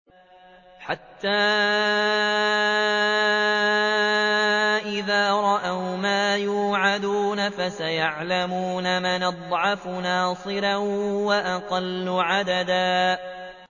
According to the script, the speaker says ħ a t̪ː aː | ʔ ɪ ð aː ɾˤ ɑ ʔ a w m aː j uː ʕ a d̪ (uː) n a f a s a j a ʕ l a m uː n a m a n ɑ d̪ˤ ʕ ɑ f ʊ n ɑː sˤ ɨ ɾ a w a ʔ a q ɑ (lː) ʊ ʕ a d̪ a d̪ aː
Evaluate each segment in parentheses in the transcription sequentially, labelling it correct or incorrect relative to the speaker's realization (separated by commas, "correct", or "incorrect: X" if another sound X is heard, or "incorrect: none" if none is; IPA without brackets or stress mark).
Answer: correct, correct